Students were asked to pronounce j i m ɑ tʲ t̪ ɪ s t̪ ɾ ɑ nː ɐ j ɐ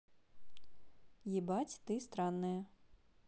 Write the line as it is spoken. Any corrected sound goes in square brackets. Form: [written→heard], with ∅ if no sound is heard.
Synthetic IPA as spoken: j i [m→b] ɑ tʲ t̪ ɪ s t̪ ɾ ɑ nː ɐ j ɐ